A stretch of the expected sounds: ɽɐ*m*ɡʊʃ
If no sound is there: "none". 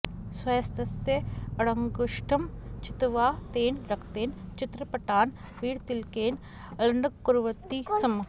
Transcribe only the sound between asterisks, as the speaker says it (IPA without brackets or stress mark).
ŋ